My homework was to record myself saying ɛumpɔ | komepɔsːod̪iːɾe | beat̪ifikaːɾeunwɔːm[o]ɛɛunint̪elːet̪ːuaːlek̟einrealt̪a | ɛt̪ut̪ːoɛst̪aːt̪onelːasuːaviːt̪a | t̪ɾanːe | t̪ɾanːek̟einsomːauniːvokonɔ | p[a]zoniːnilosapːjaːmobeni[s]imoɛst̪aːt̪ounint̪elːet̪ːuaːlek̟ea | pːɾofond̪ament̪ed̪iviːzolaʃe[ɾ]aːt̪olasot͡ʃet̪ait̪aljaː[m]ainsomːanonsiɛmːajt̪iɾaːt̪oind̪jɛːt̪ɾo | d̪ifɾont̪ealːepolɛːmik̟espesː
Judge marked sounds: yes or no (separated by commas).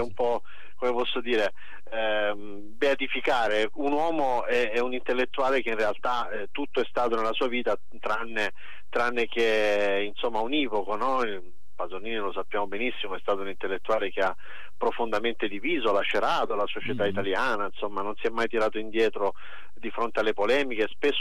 yes, yes, no, yes, no